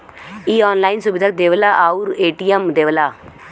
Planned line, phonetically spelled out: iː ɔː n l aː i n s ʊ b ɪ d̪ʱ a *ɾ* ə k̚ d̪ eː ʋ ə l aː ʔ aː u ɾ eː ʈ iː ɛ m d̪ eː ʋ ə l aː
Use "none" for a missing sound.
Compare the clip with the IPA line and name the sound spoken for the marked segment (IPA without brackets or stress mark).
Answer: none